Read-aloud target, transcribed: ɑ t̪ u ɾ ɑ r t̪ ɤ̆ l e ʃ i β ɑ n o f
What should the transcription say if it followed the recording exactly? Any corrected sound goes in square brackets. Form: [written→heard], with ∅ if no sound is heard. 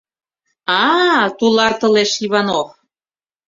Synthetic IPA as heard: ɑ t̪ u [ɾ→l] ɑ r t̪ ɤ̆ l e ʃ i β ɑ n o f